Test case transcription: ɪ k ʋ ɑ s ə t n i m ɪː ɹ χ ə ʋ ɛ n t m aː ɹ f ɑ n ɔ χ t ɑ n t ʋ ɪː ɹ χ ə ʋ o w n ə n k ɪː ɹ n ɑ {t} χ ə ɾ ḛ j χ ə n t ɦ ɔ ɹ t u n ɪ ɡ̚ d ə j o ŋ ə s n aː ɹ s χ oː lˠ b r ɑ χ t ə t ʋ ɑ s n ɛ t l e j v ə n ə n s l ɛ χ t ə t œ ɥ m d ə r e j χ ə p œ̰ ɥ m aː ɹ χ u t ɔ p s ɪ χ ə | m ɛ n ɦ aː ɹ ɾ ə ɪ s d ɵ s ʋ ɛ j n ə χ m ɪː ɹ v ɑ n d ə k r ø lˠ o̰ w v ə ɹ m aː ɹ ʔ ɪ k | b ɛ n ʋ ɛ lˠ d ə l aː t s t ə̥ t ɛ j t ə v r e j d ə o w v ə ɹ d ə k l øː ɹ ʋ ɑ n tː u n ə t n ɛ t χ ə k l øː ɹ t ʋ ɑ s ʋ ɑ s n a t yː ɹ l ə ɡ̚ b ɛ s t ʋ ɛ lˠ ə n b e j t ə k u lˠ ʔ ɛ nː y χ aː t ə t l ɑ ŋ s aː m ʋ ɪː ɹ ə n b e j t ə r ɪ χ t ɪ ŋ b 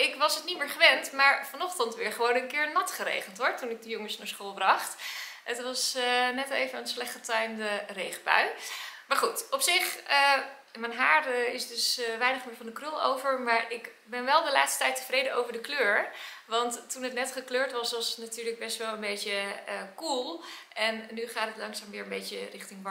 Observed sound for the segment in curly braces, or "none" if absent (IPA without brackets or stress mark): t